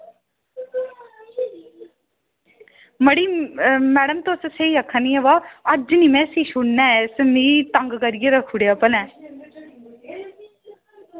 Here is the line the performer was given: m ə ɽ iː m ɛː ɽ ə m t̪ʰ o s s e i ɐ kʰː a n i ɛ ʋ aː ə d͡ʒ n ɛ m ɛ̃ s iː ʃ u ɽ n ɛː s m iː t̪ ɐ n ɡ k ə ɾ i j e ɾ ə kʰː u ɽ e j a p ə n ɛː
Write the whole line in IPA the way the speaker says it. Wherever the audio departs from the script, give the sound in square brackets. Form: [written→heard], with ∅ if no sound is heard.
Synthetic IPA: m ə ɽ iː m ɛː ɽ ə m [t̪ʰ→t̪] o s s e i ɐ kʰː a n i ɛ ʋ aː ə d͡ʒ n [ɛ→i] m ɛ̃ s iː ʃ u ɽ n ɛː s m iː t̪ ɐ [n→ŋ] ɡ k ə ɾ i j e ɾ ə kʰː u ɽ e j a p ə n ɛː